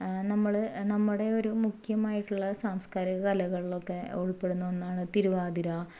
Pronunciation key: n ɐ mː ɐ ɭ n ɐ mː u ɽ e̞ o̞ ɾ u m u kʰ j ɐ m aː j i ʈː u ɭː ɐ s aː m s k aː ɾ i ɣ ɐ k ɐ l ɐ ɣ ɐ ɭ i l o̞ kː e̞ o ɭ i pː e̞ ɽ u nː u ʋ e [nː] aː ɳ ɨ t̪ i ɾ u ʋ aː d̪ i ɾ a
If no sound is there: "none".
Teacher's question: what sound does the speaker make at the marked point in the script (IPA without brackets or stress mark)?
nː